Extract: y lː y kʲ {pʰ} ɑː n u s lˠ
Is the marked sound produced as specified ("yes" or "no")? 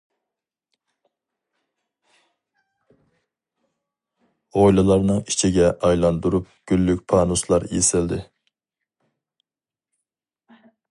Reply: yes